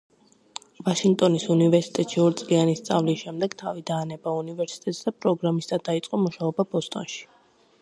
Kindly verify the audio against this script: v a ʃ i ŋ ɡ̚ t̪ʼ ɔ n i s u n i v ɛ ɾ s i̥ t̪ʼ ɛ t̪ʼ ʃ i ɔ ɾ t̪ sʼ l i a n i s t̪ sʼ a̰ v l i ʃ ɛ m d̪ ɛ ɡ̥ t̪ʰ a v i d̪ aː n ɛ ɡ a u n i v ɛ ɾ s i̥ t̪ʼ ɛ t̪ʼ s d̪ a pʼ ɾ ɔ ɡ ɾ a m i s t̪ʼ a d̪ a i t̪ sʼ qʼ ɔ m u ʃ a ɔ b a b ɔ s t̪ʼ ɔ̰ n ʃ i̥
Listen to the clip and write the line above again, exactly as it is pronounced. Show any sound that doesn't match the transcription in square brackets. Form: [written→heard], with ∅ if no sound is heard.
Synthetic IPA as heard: v a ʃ i ŋ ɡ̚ t̪ʼ ɔ n i s u n i v ɛ ɾ s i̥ t̪ʼ ɛ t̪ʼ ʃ i ɔ ɾ t̪ sʼ l i a n i s t̪ sʼ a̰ v l i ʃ ɛ m d̪ ɛ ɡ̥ t̪ʰ a v i d̪ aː n ɛ [ɡ→b] a u n i v ɛ ɾ s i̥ t̪ʼ ɛ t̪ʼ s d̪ a pʼ ɾ ɔ ɡ ɾ a m i s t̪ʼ a d̪ a i t̪ sʼ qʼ ɔ m u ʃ a ɔ b a b ɔ s t̪ʼ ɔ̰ n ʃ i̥